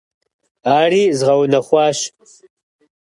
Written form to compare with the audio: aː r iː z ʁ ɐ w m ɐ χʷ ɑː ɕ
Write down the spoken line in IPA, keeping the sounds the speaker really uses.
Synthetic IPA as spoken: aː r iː z ʁ ɐ w n ɐ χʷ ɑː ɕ